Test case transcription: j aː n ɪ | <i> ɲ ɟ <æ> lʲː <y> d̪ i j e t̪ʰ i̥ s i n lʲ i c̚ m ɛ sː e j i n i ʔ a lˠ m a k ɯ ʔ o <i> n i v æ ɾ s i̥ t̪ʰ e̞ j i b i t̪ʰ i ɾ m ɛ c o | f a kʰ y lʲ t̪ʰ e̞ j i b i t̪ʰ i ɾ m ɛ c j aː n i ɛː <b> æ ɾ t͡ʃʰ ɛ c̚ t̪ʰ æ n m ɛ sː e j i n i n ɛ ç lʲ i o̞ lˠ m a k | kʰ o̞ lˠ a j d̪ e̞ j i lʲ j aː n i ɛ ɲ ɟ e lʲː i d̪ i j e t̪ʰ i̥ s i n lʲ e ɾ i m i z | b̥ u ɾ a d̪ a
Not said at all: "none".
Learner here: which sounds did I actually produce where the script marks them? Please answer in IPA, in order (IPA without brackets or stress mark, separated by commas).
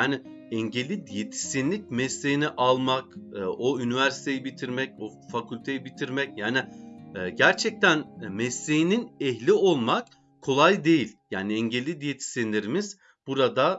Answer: ɛ, e, i, y, ɟ